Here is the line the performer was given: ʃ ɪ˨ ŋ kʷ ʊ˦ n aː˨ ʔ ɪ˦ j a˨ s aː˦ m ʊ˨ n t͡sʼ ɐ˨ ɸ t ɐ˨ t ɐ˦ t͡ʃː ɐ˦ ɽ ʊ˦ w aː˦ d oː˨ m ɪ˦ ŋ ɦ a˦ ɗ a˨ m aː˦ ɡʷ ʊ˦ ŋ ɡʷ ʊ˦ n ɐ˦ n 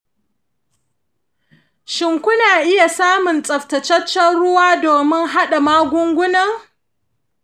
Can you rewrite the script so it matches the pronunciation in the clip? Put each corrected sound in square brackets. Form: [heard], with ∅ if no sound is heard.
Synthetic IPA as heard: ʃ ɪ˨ ŋ kʷ ʊ˦ n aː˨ ʔ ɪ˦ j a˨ s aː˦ m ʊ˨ n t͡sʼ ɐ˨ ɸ t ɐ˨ [t͡ʃ] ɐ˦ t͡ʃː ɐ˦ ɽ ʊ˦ w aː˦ d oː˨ m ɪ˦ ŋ ɦ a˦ ɗ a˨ m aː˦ ɡʷ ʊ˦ ŋ ɡʷ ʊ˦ n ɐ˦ [ŋ]